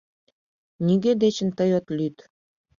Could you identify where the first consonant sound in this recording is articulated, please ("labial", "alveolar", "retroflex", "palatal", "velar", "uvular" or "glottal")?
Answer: alveolar